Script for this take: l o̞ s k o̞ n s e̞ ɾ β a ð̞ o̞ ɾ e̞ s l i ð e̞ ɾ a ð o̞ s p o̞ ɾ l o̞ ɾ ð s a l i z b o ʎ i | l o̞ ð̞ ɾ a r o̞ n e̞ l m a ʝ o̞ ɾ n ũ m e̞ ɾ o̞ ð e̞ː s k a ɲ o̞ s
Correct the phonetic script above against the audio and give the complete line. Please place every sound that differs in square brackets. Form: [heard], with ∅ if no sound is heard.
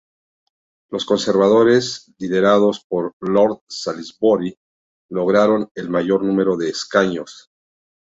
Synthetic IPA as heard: l o̞ s k o̞ n s e̞ ɾ β a ð̞ o̞ ɾ e̞ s l i ð e̞ ɾ a ð o̞ s p o̞ ɾ l o̞ ɾ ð s a l i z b o [ɾ] i | l o̞ [ɣ̞] ɾ a [ɾ] o̞ n e̞ l m a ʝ o̞ ɾ n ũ m e̞ ɾ o̞ ð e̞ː s k a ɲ o̞ s